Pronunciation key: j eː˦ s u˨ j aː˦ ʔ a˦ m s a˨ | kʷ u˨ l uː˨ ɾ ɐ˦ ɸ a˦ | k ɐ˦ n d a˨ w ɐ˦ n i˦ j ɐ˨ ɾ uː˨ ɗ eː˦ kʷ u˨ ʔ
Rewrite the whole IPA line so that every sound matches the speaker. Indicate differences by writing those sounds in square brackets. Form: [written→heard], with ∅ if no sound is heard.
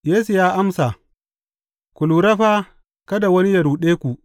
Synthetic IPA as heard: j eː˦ s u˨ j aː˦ ʔ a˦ m s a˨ | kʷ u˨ l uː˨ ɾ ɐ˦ ɸ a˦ | k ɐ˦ [n→∅] d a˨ w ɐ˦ n i˦ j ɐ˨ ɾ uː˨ ɗ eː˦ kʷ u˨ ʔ